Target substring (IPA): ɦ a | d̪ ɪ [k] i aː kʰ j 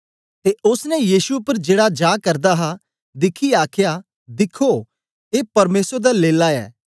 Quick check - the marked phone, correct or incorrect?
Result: incorrect